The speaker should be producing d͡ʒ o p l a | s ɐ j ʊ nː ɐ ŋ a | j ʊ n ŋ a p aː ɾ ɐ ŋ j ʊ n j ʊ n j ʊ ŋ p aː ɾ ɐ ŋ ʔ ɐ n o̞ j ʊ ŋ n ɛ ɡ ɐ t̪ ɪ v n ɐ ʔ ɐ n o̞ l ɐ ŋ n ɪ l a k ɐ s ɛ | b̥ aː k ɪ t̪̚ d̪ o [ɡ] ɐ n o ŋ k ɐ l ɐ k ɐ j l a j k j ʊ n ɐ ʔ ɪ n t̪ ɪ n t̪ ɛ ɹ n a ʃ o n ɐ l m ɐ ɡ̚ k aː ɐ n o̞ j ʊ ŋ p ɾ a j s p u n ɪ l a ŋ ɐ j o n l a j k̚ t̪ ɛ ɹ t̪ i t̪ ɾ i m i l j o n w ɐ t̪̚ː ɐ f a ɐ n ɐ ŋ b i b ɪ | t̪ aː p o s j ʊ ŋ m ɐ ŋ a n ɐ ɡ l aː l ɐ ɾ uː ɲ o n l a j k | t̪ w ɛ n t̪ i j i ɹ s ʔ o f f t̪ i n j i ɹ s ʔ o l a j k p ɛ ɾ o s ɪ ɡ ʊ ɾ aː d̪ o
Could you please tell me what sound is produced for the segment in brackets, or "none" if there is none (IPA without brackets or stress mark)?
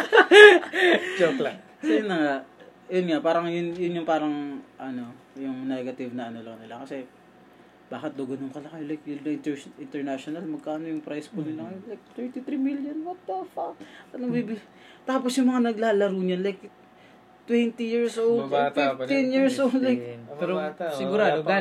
ɡ